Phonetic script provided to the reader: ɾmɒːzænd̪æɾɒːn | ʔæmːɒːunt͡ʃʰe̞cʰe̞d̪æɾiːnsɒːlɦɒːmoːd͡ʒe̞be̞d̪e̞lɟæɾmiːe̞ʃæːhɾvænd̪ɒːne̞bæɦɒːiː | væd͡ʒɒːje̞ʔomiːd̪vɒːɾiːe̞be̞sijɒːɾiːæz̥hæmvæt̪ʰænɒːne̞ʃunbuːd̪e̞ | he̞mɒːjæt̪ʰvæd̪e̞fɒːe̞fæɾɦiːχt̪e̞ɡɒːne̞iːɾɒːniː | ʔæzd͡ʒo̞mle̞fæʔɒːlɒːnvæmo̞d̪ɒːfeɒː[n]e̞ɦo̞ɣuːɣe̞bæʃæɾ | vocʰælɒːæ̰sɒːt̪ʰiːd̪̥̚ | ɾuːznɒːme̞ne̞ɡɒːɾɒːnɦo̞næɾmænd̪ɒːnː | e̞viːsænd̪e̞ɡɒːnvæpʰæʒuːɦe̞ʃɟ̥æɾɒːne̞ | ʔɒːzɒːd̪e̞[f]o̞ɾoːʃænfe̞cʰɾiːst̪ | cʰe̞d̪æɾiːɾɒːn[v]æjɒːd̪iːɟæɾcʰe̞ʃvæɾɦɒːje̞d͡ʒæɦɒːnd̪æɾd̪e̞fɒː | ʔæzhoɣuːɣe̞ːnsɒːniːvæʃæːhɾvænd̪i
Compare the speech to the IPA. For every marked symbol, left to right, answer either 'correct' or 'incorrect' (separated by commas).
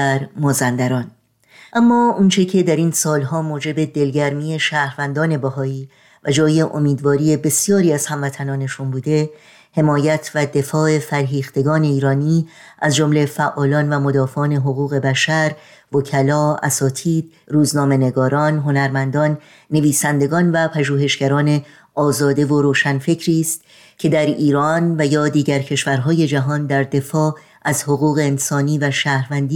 correct, incorrect, correct